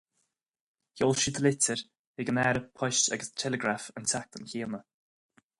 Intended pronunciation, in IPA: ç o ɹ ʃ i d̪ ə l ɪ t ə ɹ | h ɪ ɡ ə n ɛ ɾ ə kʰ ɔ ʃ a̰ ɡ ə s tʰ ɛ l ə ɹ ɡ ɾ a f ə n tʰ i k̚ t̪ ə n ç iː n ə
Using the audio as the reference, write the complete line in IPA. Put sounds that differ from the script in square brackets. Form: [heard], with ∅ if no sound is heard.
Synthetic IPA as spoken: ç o [l] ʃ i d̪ ə l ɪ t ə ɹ | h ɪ ɡ ə n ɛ ɾ ə [pʰ] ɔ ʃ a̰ ɡ ə s tʰ ɛ l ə [∅] ɡ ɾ a f ə n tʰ [a] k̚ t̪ ə n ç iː n ə